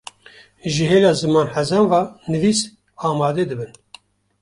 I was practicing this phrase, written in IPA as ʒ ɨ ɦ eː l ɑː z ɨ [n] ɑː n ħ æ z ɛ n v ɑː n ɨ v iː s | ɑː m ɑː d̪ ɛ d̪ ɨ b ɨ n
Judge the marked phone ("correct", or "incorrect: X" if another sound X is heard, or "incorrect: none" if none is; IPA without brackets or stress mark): incorrect: m